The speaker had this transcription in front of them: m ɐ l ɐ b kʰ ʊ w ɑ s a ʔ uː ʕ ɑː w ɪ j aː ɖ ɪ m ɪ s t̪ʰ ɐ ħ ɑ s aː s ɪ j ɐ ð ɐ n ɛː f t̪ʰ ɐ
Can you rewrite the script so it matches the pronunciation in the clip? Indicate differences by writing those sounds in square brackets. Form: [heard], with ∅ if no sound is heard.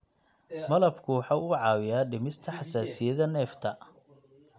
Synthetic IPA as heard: m ɐ l ɐ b kʰ ʊ w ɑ [ħ] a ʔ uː ʕ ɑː w ɪ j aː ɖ ɪ m ɪ s t̪ʰ ɐ ħ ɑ s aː s ɪ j ɐ ð ɐ n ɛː f t̪ʰ ɐ